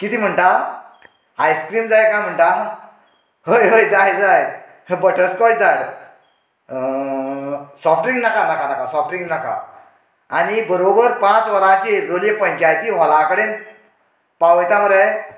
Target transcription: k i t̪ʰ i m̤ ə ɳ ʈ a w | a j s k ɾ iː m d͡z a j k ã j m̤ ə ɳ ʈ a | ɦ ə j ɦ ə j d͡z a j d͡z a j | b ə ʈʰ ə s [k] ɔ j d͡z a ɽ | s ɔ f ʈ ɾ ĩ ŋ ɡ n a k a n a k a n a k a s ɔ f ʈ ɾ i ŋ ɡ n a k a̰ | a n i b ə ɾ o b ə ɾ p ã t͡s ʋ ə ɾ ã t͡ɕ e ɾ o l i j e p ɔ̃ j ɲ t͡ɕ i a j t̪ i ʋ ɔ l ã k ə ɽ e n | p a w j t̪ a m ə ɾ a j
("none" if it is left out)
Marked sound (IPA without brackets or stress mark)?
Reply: k